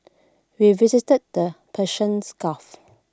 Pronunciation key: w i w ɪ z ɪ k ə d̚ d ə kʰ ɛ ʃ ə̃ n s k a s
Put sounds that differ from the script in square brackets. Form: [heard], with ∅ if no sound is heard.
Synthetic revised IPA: w i [v] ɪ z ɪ [t] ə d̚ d ə [pʰ] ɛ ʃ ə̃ n s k a [f]